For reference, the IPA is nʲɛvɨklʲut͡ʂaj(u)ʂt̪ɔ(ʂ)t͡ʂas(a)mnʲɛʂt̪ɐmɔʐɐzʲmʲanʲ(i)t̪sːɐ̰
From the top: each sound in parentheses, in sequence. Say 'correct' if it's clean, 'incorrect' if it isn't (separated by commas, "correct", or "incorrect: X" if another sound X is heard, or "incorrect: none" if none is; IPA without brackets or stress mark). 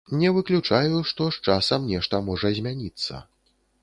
correct, correct, incorrect: ɐ, correct